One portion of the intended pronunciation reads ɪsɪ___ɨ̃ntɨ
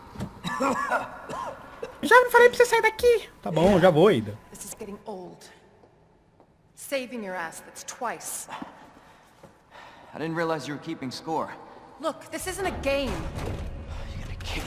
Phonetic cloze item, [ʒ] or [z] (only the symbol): z